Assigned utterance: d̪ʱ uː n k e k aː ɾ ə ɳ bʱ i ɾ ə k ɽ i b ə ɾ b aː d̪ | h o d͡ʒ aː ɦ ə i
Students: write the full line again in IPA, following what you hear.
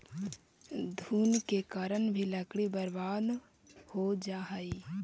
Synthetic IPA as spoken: d̪ʱ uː n k e k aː ɾ ə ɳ bʱ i l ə k ɽ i b ə ɾ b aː d̪ | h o d͡ʒ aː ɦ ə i